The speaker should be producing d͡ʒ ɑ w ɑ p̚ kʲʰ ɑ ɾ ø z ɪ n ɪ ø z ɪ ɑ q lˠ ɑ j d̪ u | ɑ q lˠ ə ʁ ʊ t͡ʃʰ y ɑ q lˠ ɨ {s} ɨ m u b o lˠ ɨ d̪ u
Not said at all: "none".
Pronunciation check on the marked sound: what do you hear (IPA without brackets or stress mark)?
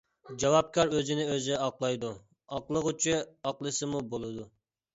s